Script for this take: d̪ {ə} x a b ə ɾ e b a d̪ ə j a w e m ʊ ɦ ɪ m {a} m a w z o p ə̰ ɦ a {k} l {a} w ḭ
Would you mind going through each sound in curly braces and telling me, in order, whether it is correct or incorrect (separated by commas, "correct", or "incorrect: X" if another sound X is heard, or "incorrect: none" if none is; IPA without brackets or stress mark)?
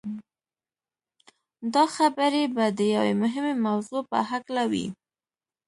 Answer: incorrect: ɑ, incorrect: e, correct, correct